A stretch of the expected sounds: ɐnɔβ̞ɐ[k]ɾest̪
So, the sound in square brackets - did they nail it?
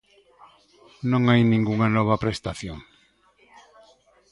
no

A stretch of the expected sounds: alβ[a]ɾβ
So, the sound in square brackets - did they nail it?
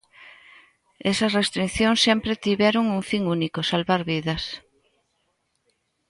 yes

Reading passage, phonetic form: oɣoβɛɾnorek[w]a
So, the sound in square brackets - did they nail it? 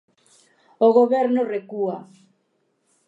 no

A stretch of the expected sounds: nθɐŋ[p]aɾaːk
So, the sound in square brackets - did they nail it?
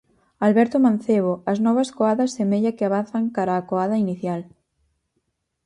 no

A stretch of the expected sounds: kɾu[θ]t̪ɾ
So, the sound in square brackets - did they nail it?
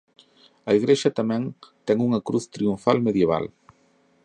yes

